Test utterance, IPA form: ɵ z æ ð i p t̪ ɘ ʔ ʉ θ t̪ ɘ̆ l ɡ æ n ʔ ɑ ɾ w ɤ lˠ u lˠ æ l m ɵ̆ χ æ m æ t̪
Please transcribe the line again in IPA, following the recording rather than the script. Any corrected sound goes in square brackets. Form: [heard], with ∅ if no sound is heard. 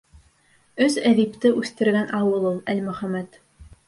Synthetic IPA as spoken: ɵ z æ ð i p t̪ ɘ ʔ ʉ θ t̪ ɘ̆ [ɾ] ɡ æ n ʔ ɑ [∅] w ɤ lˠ u lˠ æ l m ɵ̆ χ æ m æ t̪